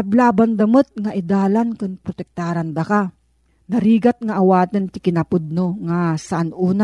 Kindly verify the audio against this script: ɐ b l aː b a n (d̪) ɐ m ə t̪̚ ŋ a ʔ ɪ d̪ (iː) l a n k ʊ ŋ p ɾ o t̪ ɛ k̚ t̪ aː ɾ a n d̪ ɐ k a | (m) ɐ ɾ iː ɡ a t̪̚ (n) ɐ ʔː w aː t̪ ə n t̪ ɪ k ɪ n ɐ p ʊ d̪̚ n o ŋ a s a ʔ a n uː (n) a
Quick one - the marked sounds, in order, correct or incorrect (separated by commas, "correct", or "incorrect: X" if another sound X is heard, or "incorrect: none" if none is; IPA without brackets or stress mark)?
correct, incorrect: aː, incorrect: n, incorrect: ŋ, correct